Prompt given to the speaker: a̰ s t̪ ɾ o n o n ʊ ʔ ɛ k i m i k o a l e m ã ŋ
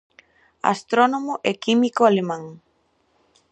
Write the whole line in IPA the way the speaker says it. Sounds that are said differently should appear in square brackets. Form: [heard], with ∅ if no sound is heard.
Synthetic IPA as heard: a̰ s t̪ ɾ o n o [m] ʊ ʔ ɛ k i m i k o a l e m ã ŋ

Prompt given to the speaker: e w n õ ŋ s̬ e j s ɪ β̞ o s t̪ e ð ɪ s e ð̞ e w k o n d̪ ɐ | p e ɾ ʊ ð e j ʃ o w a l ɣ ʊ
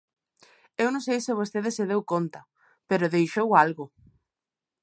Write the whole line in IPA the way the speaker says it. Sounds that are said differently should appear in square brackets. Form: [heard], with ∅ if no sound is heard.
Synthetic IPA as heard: e w n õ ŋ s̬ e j s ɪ β̞ o s t̪ e ð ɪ s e ð̞ e w k o n [t̪] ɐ | p e ɾ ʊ ð e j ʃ o w a l ɣ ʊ

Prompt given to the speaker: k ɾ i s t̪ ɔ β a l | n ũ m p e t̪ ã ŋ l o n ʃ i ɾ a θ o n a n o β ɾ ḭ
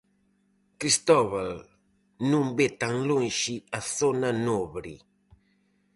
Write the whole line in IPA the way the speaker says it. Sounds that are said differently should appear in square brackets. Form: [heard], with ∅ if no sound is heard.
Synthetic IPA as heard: k ɾ i s t̪ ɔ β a l | n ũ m [b] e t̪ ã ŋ l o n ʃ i [∅] a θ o n a n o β ɾ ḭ

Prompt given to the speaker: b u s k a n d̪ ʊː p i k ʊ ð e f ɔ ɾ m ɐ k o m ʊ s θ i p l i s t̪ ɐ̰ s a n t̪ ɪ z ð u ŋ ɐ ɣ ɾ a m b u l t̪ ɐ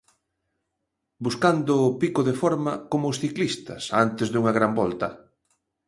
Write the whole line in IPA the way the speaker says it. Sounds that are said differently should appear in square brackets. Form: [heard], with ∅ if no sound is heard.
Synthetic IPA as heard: b u s k a n d̪ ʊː p i k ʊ ð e f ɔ ɾ m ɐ k o m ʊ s θ i [k] l i s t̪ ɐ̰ s a n t̪ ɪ z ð u ŋ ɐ ɣ ɾ a m b [ɔ] l t̪ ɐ

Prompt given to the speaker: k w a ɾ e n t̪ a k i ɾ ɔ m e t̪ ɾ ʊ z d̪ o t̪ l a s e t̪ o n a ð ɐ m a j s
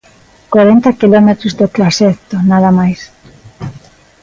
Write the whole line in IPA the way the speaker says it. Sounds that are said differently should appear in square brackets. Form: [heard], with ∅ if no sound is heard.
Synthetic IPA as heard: k w a ɾ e n t̪ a k i [l] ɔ m e t̪ ɾ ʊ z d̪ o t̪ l a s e t̪ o n a ð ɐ m a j s

